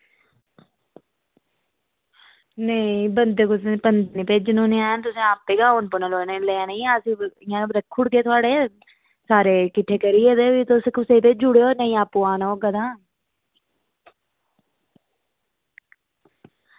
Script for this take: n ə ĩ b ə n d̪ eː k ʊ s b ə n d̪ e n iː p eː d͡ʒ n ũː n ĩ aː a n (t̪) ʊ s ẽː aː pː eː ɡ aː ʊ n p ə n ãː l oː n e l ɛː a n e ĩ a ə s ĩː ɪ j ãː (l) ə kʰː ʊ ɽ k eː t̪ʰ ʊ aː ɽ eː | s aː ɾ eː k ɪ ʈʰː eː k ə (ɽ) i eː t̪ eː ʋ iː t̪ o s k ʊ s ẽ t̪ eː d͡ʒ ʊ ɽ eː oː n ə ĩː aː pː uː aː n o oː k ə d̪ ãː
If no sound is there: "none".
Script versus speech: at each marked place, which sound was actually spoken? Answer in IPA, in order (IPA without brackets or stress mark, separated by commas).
t̪, ɾ, ɾ